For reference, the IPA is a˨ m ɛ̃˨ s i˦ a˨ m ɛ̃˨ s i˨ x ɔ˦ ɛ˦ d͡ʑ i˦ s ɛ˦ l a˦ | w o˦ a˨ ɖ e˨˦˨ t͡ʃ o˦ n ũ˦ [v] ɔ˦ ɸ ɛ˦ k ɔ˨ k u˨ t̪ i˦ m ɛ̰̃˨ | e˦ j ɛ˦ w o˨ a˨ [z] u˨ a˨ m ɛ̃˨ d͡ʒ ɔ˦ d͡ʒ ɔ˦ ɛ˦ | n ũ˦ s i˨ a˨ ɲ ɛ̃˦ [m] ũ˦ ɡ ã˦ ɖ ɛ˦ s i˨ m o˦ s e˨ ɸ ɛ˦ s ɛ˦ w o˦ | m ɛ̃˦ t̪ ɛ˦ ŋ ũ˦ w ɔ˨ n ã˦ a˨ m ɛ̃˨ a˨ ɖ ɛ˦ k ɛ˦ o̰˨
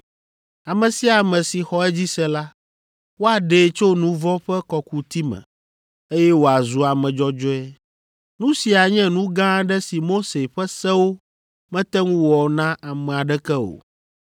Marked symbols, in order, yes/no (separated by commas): yes, yes, no